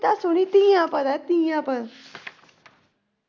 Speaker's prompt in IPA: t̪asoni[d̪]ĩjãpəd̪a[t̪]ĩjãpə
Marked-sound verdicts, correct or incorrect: incorrect: t̪, correct

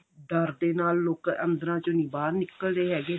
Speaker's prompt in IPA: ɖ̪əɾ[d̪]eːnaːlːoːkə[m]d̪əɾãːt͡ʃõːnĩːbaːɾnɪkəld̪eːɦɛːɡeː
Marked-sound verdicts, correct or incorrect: correct, incorrect: n

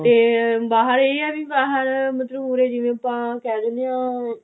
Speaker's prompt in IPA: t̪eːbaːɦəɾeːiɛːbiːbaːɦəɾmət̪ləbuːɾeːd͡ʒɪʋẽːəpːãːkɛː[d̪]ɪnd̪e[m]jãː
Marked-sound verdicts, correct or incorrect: correct, incorrect: none

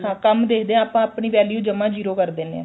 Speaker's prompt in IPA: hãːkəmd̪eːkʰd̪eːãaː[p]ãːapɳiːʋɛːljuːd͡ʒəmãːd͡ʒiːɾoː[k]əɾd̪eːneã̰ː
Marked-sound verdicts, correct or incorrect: correct, correct

